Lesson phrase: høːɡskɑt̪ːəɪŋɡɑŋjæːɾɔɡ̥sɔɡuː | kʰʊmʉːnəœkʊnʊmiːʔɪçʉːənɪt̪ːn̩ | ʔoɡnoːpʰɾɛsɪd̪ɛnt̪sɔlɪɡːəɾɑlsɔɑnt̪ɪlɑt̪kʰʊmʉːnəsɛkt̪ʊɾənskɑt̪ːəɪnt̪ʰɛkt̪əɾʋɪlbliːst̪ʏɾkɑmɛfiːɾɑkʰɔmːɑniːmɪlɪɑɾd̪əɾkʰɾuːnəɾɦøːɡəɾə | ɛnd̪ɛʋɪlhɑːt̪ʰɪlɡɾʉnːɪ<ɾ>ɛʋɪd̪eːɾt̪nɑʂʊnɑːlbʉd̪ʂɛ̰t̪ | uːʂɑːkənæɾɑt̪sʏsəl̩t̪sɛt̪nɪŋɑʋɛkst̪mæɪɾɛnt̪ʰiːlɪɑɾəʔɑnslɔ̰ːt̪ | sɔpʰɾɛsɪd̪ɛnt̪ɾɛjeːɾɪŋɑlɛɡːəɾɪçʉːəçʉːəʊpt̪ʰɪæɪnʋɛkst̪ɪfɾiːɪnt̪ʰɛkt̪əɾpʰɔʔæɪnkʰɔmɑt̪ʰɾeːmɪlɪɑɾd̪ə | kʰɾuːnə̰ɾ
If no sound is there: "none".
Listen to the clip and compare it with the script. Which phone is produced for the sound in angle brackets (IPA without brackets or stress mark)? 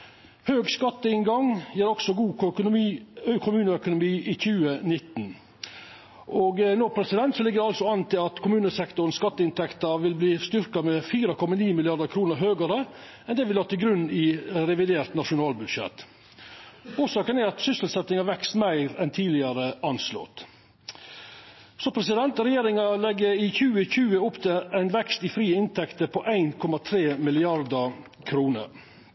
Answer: ɾ